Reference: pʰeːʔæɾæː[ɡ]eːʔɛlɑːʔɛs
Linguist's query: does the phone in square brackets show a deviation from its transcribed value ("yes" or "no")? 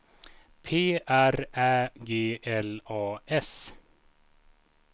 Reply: no